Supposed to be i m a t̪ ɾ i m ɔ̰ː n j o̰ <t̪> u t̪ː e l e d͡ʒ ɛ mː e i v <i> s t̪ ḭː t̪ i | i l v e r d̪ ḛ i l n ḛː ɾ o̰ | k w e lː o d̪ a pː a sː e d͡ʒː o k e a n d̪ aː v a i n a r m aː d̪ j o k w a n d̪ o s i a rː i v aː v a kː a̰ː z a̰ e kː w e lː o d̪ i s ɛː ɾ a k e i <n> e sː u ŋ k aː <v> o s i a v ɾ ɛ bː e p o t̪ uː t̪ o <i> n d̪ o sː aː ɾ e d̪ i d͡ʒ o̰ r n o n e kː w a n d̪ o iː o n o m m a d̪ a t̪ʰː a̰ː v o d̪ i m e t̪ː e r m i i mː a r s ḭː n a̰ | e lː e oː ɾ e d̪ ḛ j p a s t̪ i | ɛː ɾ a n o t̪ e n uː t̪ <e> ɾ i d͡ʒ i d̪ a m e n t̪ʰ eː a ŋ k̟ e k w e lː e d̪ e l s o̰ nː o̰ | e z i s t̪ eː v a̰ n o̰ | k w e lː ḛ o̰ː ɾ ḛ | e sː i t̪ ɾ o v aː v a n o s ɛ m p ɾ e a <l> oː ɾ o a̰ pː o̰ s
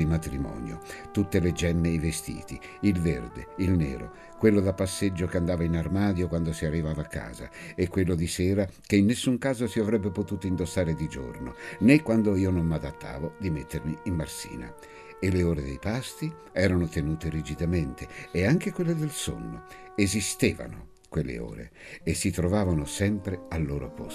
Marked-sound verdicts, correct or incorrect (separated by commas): correct, incorrect, incorrect, incorrect, correct, correct, incorrect